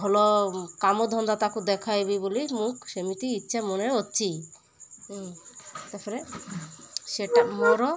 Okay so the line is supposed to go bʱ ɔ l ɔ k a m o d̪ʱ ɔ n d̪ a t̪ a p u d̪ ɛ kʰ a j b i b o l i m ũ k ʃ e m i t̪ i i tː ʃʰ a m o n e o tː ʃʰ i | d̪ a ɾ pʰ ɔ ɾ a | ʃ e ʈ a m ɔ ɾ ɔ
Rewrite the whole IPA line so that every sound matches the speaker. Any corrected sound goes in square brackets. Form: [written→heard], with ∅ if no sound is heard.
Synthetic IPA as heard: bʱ ɔ l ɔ k a m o d̪ʱ ɔ n d̪ a t̪ a [p→k] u d̪ ɛ kʰ a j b i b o l i m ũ k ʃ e m i t̪ i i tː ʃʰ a m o n e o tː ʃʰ i | [d̪→t̪] a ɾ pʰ ɔ ɾ [a→e] | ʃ e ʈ a m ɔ ɾ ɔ